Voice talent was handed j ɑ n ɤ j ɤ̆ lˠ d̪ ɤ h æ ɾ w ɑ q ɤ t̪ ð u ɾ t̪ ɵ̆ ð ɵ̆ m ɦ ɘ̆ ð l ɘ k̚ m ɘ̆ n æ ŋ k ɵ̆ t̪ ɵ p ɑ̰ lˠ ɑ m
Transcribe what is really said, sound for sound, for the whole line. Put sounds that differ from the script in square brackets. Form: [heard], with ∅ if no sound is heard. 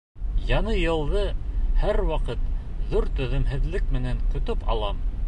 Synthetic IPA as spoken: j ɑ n ɤ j ɤ̆ lˠ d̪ ɤ h æ ɾ w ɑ q ɤ t̪ ð u ɾ t̪ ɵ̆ ð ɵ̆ m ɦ ɘ̆ ð l ɘ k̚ m ɘ̆ n æ ŋ k ɵ̆ t̪ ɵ p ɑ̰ lˠ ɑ m